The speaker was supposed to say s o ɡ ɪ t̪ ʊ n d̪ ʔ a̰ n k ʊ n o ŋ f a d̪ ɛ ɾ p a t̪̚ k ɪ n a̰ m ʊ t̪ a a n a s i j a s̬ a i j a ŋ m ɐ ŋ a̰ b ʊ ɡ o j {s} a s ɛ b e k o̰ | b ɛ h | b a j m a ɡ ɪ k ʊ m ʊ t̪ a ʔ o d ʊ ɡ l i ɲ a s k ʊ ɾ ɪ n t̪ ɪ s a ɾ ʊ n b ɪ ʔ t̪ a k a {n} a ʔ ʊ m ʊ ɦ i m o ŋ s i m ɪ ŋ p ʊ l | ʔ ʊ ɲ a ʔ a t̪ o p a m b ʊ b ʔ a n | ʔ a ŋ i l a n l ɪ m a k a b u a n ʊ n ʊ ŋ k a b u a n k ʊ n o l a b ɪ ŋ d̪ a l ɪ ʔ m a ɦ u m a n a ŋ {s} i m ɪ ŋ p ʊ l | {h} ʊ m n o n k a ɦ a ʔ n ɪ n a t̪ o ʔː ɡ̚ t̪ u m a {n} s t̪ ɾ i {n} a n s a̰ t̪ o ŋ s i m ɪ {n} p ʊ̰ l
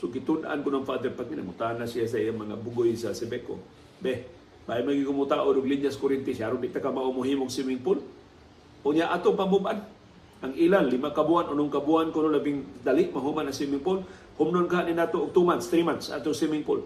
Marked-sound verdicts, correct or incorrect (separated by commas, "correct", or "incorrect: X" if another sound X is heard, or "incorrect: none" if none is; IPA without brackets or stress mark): correct, incorrect: m, correct, correct, correct, incorrect: m, incorrect: ŋ